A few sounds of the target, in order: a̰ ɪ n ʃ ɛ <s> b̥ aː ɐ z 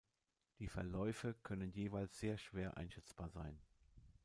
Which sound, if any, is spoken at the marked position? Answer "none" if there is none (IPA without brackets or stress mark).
t͡s